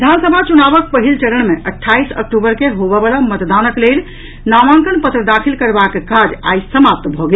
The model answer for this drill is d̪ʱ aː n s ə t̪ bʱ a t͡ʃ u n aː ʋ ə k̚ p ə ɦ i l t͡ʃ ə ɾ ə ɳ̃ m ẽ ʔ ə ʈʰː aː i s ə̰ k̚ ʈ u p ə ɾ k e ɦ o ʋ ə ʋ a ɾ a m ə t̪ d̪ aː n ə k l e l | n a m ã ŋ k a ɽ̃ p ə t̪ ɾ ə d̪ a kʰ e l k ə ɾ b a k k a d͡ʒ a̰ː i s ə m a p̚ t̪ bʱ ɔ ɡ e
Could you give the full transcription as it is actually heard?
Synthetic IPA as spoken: d̪ʱ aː n s ə bʱ a t͡ʃ u n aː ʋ ə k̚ p ə ɦ i l t͡ʃ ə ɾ ə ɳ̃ m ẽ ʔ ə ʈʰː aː i s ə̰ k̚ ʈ u b ə ɾ k e ɦ o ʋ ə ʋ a l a m ə t̪ d̪ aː n ə k l e l | n a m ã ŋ k ə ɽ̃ p ə t̪ ɾ ə d̪ a kʰ i l k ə ɾ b a k k a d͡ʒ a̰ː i s ə m a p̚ t̪ bʱ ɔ ɡ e